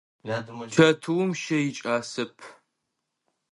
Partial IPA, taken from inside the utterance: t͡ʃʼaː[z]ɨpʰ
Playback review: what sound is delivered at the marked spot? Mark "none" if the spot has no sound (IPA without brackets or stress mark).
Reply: s